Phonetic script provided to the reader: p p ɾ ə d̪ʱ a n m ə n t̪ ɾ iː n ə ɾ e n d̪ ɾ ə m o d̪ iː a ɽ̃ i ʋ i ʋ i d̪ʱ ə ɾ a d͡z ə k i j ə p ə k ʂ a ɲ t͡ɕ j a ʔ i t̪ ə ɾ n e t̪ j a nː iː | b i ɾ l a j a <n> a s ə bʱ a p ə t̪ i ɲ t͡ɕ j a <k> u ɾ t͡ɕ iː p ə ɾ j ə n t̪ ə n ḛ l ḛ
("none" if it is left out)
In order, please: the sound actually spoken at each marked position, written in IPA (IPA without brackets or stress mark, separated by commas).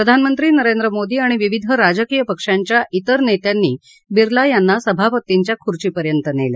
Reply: nː, kʰ